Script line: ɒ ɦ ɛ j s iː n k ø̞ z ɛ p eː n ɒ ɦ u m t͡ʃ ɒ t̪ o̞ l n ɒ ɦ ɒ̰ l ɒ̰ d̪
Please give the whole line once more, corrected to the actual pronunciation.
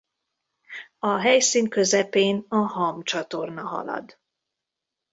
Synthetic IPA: ɒ ɦ ɛ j s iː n k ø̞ z ɛ p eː n ɒ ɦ ɒ m t͡ʃ ɒ t̪ o̞ r n ɒ ɦ ɒ̰ l ɒ̰ d̪